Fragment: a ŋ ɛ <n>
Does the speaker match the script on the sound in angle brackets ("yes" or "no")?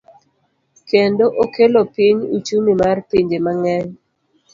no